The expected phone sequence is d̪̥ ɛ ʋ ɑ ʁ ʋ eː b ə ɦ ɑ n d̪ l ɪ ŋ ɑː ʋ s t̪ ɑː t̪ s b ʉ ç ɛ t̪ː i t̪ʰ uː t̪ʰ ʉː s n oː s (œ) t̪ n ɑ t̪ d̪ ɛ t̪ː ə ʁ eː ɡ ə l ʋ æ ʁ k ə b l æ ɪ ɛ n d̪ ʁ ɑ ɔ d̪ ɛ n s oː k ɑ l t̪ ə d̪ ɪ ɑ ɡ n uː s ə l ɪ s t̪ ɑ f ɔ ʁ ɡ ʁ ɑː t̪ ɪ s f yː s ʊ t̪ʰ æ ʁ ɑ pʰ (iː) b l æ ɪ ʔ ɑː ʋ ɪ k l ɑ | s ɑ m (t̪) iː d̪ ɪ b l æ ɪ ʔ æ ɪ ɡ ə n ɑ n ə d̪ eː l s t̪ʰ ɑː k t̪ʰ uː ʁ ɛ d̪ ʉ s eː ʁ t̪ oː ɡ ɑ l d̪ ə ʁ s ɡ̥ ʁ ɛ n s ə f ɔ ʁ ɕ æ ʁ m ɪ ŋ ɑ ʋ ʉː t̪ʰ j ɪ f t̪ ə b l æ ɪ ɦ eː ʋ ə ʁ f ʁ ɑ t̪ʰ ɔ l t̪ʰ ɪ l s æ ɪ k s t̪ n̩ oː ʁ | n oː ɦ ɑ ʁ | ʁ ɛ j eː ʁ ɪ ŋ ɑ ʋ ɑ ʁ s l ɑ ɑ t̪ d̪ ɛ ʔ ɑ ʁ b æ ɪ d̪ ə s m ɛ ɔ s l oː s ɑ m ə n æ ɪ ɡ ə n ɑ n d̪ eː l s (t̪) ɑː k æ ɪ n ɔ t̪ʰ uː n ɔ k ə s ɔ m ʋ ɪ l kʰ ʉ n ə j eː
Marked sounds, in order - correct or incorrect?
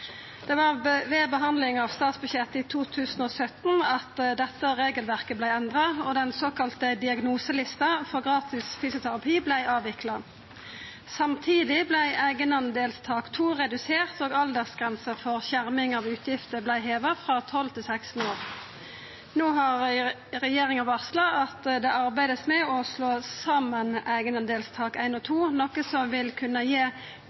correct, correct, incorrect, incorrect

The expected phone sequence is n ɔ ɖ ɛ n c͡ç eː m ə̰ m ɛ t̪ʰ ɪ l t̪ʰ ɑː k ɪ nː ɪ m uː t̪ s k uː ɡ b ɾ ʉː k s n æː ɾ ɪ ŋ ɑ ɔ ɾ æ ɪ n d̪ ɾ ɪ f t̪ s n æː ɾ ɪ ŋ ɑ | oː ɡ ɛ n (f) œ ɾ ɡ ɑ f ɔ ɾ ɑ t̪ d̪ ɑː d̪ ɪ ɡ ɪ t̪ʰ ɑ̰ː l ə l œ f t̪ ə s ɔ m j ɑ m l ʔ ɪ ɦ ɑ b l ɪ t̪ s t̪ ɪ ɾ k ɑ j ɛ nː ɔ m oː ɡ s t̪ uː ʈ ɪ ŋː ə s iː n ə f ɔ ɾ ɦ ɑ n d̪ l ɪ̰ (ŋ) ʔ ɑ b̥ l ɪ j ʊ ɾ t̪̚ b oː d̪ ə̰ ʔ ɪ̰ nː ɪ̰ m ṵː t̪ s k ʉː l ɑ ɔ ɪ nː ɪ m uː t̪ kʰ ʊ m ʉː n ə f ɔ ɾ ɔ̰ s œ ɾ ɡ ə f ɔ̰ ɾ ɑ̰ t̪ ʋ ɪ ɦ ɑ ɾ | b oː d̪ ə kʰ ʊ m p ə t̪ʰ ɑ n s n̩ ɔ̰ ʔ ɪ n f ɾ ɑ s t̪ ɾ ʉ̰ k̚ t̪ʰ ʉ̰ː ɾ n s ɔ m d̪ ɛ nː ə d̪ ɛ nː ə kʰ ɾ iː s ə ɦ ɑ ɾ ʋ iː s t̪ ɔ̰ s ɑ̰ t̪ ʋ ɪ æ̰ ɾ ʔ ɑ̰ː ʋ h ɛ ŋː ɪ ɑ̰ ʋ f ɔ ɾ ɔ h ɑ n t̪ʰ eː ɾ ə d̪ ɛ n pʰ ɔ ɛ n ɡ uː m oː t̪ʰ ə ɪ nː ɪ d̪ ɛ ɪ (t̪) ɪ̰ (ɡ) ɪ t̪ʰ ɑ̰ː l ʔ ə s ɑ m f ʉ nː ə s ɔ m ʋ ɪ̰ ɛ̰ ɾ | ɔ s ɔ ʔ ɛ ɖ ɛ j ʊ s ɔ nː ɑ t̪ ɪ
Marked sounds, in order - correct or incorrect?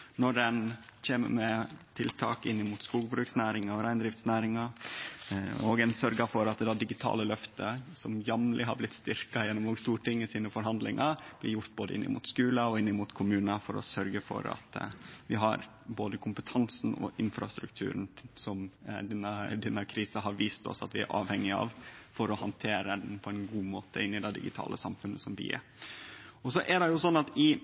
incorrect, correct, incorrect, correct

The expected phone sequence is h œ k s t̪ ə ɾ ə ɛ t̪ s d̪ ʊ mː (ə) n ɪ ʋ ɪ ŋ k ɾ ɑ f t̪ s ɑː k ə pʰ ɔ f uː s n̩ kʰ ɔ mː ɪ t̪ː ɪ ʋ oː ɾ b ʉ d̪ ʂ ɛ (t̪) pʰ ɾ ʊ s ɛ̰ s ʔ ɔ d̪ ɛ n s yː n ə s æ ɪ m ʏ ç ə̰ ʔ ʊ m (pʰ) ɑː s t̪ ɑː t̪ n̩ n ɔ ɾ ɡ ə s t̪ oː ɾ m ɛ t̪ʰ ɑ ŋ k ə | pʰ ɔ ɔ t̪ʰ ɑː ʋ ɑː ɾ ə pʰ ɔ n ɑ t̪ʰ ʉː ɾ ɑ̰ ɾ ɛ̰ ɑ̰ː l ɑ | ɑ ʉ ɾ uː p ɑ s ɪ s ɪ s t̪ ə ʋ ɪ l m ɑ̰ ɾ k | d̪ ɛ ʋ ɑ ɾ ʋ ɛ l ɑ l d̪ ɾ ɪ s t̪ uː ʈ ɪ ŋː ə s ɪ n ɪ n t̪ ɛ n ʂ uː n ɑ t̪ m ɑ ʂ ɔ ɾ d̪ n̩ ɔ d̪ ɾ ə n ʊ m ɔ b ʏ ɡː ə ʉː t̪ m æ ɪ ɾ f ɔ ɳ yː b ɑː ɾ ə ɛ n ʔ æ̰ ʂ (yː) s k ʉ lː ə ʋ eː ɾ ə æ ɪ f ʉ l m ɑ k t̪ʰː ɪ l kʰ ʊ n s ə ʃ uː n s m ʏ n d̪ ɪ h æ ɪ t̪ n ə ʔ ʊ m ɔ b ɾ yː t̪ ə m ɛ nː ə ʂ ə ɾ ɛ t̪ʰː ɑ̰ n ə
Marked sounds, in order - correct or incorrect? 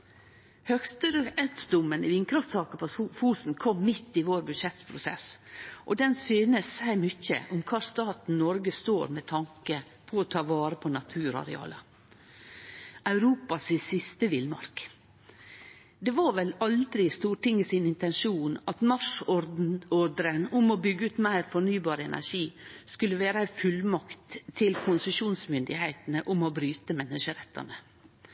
correct, correct, incorrect, incorrect

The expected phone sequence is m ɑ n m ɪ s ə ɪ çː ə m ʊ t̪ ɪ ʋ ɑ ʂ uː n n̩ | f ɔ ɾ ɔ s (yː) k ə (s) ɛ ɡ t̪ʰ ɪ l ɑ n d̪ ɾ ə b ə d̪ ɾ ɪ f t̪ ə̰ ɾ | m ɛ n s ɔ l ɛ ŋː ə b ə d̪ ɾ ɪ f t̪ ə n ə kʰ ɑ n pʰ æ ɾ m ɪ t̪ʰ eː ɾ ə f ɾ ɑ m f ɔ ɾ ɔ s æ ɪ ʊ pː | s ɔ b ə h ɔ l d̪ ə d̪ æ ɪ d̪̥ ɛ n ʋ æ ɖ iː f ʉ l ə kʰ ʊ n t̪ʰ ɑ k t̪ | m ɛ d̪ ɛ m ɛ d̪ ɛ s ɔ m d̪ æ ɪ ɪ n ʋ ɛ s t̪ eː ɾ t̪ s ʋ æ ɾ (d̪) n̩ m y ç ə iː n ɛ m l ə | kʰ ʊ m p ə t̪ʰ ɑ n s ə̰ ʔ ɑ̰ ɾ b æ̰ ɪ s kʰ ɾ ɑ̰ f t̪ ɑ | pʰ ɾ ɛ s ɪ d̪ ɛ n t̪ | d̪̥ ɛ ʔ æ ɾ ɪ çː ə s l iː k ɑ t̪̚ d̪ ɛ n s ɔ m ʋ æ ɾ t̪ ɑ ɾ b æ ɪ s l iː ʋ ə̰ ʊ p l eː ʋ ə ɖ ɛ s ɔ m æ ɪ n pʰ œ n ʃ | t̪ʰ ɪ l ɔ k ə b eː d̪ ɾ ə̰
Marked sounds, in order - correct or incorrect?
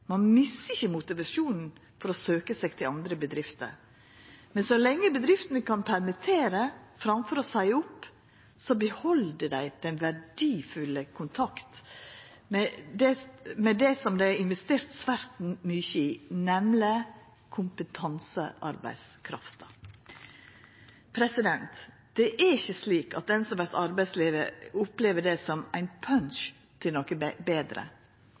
incorrect, correct, incorrect

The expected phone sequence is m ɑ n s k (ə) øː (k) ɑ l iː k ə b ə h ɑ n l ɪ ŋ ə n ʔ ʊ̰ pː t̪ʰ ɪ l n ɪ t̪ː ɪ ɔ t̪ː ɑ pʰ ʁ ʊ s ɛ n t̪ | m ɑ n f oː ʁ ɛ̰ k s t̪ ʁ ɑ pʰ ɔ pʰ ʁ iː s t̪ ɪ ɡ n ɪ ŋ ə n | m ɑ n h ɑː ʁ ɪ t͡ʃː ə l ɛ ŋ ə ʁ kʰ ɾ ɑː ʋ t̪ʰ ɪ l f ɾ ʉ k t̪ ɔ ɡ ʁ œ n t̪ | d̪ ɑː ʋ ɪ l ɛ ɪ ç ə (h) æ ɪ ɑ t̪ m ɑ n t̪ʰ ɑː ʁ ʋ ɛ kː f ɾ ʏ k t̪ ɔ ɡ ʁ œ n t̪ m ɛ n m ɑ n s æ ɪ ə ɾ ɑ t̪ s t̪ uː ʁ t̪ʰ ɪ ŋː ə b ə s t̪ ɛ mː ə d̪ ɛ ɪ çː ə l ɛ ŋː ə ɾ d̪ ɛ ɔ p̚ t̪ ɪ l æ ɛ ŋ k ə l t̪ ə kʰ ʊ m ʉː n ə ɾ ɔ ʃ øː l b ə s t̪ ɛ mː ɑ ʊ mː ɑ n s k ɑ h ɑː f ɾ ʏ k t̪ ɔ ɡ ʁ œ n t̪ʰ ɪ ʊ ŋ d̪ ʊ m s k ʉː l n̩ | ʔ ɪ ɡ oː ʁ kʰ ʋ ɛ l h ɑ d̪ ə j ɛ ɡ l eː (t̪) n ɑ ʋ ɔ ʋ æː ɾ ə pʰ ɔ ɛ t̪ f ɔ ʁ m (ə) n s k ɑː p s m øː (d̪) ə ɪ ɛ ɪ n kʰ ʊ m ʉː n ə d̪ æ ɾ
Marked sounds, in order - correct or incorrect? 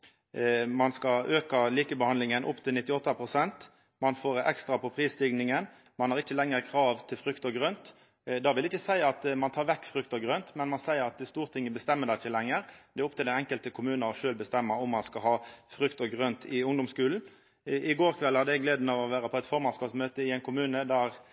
incorrect, correct, incorrect, incorrect, incorrect, incorrect

